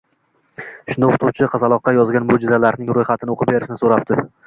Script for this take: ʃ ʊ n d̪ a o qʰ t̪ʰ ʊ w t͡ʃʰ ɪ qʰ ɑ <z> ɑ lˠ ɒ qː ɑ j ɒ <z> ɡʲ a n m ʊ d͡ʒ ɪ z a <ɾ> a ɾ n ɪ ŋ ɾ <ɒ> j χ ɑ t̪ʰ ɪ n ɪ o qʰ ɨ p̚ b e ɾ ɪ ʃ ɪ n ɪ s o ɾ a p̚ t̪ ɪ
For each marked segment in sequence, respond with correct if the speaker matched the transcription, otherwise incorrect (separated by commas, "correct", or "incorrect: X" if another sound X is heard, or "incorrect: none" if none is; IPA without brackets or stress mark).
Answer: correct, correct, incorrect: l, incorrect: o